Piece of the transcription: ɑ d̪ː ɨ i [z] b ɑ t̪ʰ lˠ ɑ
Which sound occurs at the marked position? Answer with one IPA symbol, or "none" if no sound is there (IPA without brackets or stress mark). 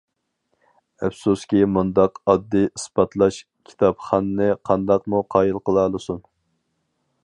s